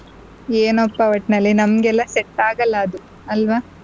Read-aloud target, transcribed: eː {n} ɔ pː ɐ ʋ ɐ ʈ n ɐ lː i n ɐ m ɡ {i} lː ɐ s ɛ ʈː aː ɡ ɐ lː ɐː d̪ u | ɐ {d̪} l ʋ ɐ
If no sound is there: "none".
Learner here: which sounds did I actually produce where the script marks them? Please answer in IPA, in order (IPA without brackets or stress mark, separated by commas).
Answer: n, ɛ, none